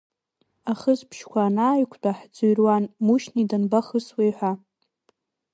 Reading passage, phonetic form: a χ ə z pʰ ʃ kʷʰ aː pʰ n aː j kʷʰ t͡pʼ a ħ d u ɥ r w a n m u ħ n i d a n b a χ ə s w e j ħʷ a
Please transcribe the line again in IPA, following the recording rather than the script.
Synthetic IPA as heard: a χ ə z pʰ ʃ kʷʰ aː n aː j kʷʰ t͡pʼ a ħ d͡z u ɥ r w a n m u ʃ n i d a n b a χ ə s w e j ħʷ a